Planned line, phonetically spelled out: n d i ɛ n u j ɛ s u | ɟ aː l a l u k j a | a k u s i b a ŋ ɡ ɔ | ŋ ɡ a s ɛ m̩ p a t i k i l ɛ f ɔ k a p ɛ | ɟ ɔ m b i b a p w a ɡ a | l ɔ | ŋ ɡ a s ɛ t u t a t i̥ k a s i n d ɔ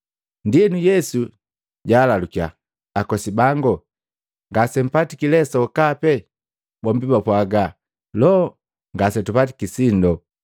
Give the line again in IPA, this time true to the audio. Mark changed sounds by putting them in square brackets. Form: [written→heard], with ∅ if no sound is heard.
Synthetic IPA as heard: n d i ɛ n u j ɛ s u | ɟ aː l a l u k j a | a k [u→ɔ] s i b a ŋ ɡ ɔ | ŋ ɡ a s ɛ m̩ p a t i k i l ɛ [f→s] ɔ k a p ɛ | [ɟ→b] ɔ m b i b a p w a ɡ a | l ɔ | ŋ ɡ a s ɛ t u [t→p] a t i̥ k [a→i] s i n d ɔ